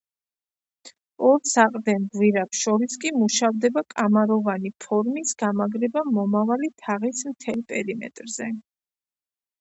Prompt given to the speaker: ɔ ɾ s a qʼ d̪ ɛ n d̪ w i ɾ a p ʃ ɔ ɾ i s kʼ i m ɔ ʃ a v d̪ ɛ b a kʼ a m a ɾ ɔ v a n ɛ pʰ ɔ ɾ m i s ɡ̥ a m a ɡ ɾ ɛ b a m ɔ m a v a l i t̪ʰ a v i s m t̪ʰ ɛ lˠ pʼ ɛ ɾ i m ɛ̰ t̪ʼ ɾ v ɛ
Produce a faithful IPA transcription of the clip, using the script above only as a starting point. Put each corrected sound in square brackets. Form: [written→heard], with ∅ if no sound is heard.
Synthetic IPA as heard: ɔ ɾ s a qʼ d̪ ɛ n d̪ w i ɾ a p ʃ ɔ ɾ i s kʼ i m [ɔ→u] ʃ a v d̪ ɛ b a kʼ a m a ɾ ɔ v a n [ɛ→i] pʰ ɔ ɾ m i s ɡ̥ a m a ɡ ɾ ɛ b a m ɔ m a v a l i t̪ʰ a [v→ʁ] i s m t̪ʰ ɛ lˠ pʼ ɛ ɾ i m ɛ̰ t̪ʼ ɾ [v→z] ɛ